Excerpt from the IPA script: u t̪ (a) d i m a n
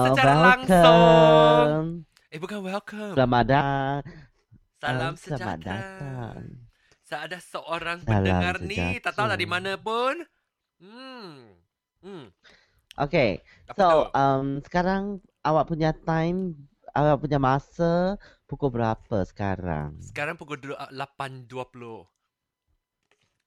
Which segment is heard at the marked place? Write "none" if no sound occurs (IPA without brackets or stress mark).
a